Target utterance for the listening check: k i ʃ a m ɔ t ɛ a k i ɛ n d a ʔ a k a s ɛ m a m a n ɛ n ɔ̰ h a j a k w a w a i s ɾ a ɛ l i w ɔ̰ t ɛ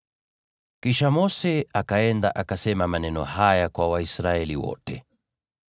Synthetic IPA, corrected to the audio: k i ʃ a m ɔ s ɛ a k a ɛ n d a ʔ a k a s ɛ m a m a n ɛ n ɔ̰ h a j a k w a w a i s ɾ a ɛ l i w ɔ̰ t ɛ